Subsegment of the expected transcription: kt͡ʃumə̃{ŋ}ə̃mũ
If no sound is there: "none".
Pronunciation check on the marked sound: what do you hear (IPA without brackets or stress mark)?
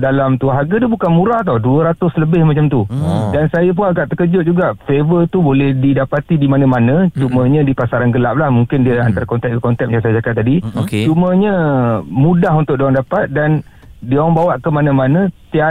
ɲ